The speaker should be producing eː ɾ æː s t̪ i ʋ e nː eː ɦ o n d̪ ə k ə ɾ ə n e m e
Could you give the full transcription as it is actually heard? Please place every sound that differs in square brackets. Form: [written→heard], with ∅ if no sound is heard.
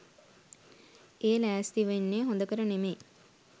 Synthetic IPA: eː [ɾ→l] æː s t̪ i ʋ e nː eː ɦ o n d̪ ə k ə ɾ ə n e m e